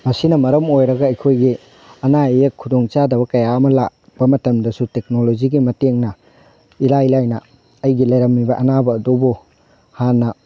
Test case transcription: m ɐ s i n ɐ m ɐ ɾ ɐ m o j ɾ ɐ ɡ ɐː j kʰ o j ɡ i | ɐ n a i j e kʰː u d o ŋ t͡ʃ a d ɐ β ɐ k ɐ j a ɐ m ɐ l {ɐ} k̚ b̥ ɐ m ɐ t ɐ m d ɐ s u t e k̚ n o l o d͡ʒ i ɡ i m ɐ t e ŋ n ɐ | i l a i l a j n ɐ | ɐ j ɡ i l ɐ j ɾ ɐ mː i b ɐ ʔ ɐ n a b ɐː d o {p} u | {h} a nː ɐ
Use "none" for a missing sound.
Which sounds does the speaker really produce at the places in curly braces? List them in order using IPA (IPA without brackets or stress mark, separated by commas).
a, b, h